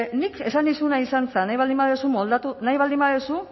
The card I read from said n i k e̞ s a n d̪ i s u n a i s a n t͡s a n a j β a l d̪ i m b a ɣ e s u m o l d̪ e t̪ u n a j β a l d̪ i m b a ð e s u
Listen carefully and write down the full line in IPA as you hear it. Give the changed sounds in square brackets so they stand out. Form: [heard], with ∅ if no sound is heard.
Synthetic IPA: n i k e̞ s a n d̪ i s u n a i s a n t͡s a n a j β a l d̪ i m b a [ð] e s u m o l d̪ [a] t̪ u n a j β a l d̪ i m b a ð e s u